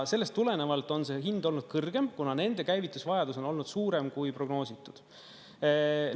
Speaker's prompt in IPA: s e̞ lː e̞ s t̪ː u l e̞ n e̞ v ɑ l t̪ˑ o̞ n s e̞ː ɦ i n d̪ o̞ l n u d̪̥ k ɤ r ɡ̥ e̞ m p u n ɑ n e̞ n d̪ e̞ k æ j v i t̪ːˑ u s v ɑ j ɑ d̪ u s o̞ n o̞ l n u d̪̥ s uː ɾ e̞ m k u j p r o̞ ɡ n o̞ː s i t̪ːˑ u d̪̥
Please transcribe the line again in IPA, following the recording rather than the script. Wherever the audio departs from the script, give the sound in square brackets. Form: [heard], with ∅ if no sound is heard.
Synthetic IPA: s e̞ lː e̞ s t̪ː u l e̞ n e̞ v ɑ l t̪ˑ o̞ n s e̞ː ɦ i n d̪ o̞ l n u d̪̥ k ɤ r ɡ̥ e̞ m [k] u n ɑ n e̞ n d̪ e̞ k æ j v i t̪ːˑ u s v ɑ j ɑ d̪ u s o̞ n o̞ l n u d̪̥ s uː ɾ e̞ m k u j p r o̞ ɡ n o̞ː s i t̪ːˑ u d̪̥